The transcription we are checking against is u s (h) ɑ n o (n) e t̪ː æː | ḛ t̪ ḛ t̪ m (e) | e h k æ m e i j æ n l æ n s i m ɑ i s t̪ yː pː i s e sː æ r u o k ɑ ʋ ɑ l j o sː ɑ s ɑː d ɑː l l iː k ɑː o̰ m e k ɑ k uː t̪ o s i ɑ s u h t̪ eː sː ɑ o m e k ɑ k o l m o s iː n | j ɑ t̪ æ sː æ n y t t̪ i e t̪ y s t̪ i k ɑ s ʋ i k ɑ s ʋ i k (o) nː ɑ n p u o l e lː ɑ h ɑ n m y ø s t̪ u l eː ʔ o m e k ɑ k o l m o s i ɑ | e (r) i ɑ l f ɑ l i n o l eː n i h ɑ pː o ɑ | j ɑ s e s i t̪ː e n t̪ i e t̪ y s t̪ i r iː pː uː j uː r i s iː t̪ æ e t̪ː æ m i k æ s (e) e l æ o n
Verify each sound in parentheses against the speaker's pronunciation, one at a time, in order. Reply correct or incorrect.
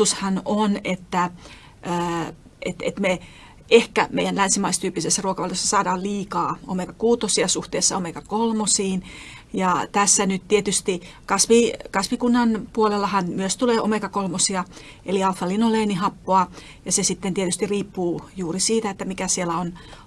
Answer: correct, correct, correct, incorrect: u, incorrect: l, incorrect: i

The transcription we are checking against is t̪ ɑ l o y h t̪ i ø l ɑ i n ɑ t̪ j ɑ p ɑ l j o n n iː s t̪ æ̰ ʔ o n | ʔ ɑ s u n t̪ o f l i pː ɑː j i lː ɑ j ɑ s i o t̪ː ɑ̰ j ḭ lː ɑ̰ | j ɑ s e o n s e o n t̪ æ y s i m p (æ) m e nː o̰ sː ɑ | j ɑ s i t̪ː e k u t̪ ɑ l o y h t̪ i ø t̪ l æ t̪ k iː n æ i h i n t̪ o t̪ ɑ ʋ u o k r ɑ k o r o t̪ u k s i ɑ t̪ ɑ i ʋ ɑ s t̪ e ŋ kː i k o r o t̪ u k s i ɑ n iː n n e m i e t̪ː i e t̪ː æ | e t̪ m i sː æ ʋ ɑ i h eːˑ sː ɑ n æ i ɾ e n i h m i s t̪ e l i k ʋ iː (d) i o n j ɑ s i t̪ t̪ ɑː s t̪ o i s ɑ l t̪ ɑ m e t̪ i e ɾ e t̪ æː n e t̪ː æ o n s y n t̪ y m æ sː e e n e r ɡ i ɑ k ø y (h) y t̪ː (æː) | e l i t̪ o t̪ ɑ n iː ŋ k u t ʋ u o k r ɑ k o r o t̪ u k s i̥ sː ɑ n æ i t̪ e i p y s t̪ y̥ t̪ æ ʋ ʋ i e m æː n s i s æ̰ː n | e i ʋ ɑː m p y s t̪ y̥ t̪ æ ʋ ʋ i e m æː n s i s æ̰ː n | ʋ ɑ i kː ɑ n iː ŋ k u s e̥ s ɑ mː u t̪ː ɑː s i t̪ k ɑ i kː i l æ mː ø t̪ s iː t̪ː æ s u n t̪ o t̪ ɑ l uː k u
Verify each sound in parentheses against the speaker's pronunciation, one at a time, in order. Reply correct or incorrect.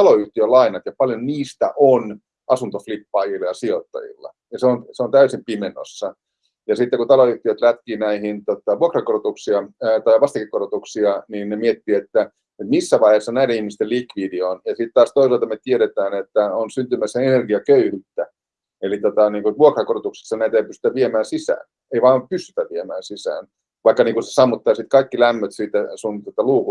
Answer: incorrect: i, correct, correct, incorrect: æ

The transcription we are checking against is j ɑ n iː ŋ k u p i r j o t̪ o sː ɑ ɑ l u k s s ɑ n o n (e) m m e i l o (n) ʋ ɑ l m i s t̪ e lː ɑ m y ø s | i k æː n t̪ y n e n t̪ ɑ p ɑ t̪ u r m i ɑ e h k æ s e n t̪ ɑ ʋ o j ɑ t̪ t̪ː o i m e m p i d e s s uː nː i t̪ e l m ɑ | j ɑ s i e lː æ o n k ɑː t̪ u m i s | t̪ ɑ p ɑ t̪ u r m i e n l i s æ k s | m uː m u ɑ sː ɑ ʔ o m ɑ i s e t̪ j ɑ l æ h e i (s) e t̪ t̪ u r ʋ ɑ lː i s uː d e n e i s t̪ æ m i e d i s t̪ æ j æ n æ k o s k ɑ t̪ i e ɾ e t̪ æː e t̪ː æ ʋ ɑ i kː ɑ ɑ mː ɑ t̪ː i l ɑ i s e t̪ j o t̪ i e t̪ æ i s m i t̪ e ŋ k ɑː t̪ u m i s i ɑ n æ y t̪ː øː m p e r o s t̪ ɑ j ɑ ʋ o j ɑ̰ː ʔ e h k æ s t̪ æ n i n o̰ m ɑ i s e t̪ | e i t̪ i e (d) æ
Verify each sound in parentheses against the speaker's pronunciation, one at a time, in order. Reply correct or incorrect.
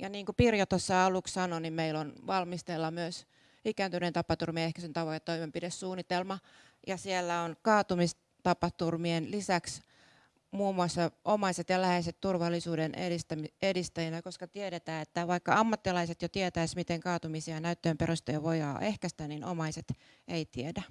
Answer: incorrect: i, correct, correct, correct

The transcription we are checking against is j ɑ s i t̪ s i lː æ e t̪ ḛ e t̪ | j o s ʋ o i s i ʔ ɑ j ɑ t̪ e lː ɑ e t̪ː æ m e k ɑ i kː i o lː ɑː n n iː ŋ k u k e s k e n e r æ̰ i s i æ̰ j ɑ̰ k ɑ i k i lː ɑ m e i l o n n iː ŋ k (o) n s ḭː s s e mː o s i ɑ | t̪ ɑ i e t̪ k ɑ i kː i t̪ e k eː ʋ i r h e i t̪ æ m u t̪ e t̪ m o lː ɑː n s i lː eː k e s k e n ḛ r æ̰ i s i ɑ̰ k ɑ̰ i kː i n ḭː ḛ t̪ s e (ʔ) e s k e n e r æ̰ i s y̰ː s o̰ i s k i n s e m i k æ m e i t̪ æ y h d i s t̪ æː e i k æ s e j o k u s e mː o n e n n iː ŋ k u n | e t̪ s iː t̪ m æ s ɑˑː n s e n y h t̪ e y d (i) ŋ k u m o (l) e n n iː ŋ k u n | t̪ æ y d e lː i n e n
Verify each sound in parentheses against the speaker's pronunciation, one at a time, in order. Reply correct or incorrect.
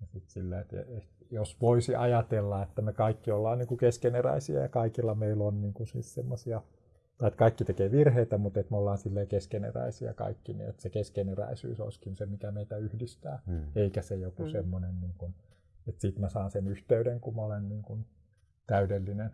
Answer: incorrect: u, incorrect: k, incorrect: e, correct

